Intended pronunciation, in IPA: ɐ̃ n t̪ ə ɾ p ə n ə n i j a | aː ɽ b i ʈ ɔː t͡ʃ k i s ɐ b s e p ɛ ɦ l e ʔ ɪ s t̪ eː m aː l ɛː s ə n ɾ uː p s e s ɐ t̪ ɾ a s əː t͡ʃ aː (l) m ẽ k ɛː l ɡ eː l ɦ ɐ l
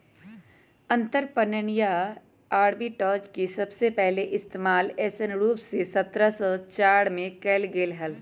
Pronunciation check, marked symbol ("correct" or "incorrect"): incorrect